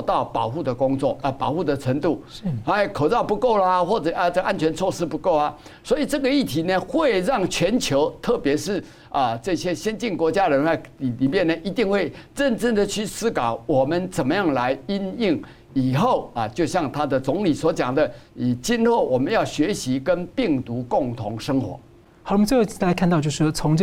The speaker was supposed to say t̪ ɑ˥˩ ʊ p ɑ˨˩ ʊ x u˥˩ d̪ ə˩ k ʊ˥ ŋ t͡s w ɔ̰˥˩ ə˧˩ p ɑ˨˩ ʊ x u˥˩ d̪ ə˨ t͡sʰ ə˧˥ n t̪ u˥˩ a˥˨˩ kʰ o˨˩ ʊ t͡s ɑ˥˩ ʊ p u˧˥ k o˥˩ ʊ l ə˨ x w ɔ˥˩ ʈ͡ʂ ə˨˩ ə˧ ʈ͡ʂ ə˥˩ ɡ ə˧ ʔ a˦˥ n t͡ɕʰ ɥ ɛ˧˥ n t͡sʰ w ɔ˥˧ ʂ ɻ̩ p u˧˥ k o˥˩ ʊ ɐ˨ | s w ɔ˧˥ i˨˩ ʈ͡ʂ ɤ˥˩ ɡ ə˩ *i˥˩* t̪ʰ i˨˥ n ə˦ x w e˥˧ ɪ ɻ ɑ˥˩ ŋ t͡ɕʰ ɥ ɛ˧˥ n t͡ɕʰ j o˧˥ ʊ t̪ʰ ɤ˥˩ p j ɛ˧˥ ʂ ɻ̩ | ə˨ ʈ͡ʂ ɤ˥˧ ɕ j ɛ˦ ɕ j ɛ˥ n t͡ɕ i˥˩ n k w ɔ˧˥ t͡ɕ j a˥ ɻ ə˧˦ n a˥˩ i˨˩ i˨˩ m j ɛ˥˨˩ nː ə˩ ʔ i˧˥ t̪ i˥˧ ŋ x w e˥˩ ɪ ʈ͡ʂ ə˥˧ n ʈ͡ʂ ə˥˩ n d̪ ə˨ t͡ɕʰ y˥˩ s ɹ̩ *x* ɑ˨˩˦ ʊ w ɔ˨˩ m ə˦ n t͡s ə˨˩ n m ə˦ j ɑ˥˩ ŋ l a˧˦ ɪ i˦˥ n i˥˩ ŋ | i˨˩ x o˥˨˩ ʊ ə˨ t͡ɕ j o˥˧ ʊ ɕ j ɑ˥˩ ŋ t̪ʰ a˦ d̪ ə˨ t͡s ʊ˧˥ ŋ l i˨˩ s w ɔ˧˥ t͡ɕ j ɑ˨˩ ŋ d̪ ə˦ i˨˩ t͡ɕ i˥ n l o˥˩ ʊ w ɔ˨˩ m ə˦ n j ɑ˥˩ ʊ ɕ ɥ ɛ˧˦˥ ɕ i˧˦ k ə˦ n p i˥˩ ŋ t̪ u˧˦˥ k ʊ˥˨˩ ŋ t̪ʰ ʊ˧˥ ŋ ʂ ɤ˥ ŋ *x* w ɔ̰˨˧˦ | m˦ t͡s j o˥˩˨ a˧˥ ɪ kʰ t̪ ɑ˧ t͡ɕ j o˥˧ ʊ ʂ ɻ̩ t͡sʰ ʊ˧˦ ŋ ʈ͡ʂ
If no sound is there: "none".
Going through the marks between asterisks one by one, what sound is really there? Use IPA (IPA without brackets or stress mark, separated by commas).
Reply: i˥˩, k, x